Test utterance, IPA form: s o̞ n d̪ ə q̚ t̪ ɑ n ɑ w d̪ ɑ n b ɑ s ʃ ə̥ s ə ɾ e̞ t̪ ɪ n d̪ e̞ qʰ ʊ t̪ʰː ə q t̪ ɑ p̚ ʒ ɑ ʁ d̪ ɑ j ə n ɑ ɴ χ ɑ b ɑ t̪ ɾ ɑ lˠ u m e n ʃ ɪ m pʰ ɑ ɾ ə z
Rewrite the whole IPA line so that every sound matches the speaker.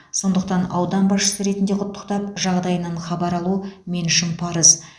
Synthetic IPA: s o̞ n d̪ ə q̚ t̪ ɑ n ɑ w d̪ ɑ n b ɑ s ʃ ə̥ s ə ɾ e̞ t̪ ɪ n d̪ e̞ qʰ ʊ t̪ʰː ə q t̪ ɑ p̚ ʒ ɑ ʁ d̪ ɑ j ə n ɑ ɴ χ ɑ b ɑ ɾ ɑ lˠ u m e n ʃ ɪ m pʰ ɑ ɾ ə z